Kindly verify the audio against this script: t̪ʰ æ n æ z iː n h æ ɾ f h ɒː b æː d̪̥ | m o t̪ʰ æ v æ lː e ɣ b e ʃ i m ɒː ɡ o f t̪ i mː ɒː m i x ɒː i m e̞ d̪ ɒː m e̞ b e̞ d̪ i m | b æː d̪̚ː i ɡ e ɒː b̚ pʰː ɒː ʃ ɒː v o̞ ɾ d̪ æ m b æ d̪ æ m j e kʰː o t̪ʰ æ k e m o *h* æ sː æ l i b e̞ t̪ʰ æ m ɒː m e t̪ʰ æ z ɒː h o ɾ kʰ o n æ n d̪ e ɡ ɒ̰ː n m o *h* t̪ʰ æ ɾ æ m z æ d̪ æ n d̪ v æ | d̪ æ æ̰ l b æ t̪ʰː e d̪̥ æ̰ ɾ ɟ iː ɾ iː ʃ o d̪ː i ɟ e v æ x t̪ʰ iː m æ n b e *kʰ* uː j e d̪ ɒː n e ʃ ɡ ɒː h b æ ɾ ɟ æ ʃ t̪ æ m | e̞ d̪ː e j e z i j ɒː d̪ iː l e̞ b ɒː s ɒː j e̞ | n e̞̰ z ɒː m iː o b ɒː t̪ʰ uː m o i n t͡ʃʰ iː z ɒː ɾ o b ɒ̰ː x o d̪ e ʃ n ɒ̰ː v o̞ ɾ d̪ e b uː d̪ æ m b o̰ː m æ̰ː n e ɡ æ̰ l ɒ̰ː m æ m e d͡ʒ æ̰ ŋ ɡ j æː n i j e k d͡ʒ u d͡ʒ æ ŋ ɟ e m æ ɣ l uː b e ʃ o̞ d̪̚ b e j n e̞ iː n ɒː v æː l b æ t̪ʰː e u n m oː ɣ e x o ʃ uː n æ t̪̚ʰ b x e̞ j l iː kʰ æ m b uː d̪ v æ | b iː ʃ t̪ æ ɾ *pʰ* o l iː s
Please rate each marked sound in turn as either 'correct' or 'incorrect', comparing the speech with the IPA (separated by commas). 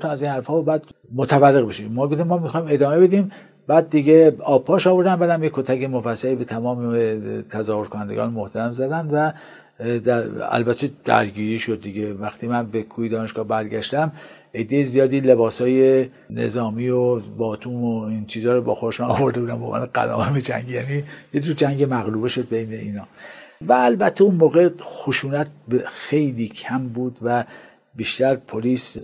incorrect, correct, correct, correct